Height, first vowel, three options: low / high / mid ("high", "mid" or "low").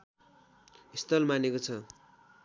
high